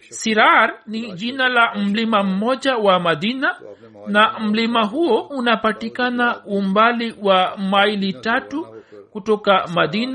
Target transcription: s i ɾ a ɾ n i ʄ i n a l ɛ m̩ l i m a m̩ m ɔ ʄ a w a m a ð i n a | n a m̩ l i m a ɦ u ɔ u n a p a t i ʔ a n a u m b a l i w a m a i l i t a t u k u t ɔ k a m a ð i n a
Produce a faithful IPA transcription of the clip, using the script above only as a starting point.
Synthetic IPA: s i ɾ a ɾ n i ʄ i n a l a m̩ l i m a m̩ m ɔ ʄ a w a m a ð i n a | n a m̩ l i m a ɦ u ɔ u n a p a t i k a n a u m b a l i w a m a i l i t a t u k u t ɔ k a m a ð i n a